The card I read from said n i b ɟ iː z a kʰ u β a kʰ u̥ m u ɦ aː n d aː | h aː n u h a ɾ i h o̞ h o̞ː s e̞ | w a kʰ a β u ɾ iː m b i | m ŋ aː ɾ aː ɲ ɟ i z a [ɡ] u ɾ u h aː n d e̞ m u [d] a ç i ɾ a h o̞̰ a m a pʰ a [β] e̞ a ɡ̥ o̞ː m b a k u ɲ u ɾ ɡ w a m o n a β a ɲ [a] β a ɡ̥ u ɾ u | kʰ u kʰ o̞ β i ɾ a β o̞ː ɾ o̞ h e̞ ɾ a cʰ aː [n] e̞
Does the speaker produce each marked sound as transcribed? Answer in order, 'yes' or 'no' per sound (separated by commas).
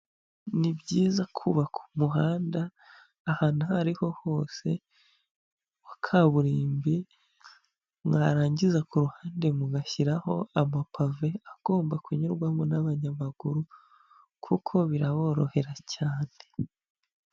no, no, no, yes, yes